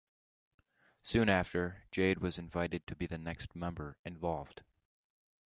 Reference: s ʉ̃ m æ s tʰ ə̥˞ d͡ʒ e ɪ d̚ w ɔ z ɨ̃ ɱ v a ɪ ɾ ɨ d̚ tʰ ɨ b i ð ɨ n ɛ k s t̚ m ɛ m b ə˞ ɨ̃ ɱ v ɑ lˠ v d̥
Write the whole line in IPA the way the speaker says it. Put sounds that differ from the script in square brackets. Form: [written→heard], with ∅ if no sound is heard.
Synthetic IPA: s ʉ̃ [m→n] æ [s→f] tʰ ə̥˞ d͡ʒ e ɪ d̚ w [ɔ→ʌ] z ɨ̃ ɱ v a ɪ ɾ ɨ d̚ tʰ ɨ b i ð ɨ n ɛ k s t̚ m [ɛ→ɛ̃] m b ə˞ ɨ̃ ɱ v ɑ lˠ v d̥

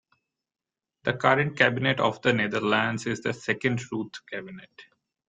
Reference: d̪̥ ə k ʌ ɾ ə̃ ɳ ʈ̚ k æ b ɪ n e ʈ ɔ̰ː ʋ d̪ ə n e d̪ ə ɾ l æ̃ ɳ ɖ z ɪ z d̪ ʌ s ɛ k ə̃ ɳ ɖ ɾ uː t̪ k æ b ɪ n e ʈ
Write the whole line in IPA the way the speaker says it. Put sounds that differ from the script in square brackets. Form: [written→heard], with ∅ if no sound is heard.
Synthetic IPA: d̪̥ ə k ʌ ɾ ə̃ ɳ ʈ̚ k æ b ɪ n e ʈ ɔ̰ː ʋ d̪ ə n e d̪ ə ɾ l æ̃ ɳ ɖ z ɪ z d̪ [ʌ→ə] s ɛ k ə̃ ɳ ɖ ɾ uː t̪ k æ b ɪ n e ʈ

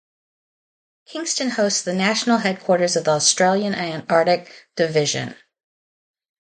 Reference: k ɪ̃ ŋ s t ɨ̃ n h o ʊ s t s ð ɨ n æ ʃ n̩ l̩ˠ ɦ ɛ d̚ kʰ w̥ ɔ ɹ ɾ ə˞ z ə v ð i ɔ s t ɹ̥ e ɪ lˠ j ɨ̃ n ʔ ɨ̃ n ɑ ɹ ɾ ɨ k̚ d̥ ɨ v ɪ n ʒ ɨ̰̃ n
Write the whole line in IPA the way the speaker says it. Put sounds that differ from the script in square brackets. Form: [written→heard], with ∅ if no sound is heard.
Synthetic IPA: [k→kʰ] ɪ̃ ŋ s t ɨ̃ n h o ʊ s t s ð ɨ n æ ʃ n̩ l̩ˠ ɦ ɛ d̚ kʰ w̥ ɔ ɹ ɾ ə˞ z [ə→ʌ] v ð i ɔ s t ɹ̥ e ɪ lˠ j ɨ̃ n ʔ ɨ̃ n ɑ ɹ ɾ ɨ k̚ d̥ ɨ v ɪ [n→∅] ʒ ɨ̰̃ n

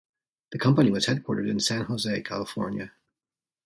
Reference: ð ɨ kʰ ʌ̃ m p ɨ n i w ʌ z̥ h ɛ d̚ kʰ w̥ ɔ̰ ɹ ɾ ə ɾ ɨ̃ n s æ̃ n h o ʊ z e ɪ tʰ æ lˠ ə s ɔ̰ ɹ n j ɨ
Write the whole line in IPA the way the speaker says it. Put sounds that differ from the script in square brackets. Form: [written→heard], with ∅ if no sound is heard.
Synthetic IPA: ð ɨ kʰ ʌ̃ m p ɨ n i w ʌ z̥ h ɛ d̚ kʰ w̥ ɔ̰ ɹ ɾ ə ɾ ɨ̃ n s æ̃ n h o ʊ z e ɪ [tʰ→kʰ] æ lˠ ə [s→f] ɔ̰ ɹ n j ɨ

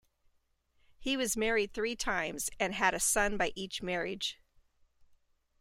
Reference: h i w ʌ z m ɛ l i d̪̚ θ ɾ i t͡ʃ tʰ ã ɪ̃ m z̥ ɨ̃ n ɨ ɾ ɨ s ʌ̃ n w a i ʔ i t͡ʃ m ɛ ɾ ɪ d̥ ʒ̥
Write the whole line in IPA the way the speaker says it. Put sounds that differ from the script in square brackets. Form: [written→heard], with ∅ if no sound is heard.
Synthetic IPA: h i w ʌ z m ɛ [l→ɹ] i d̪̚ θ [ɾ→ɹ] i [t͡ʃ→∅] tʰ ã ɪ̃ m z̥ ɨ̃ n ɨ ɾ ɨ s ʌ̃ n [w→b] a [i→ɪ] ʔ i t͡ʃ m ɛ [ɾ→ɹ] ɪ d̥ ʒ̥

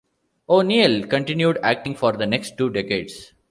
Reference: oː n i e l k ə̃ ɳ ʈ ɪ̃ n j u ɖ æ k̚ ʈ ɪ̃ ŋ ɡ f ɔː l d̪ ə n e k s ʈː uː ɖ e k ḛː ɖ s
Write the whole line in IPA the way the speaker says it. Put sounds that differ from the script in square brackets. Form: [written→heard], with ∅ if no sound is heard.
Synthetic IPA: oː n i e l k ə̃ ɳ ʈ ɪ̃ n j u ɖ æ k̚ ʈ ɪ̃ ŋ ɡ f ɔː [l→ɾ] d̪ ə n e k s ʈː uː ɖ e k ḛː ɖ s

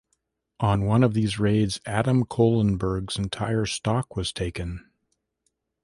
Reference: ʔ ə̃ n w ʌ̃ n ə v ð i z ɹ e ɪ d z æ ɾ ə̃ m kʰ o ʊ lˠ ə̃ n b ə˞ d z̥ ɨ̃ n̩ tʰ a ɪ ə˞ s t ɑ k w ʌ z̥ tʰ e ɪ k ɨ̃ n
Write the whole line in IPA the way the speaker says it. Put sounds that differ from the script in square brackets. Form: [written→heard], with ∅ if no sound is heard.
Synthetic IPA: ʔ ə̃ n w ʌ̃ n [ə→ʌ] v ð i z ɹ e ɪ d z æ ɾ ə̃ m kʰ o ʊ lˠ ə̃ n b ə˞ [d→ɡ] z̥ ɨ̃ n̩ tʰ a ɪ ə˞ s t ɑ k w ʌ z̥ tʰ e ɪ k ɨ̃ n

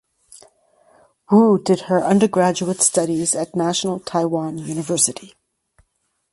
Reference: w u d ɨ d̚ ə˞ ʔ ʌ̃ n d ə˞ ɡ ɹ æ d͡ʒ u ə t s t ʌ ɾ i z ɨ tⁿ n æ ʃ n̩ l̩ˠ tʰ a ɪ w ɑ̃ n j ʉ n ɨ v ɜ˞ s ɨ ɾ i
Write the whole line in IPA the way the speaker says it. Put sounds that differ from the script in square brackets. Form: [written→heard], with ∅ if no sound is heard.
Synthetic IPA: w u d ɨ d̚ ə˞ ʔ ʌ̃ n d ə˞ ɡ ɹ æ d͡ʒ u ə t s t ʌ ɾ i z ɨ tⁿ n æ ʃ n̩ l̩ˠ tʰ a ɪ w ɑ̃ n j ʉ n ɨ v ɜ˞ s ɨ ɾ i

